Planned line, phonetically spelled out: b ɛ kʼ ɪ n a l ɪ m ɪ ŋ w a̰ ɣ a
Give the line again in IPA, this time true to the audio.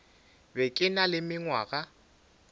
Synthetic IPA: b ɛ kʼ ɪ n a l ɪ m ɪ ŋ w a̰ ɣ a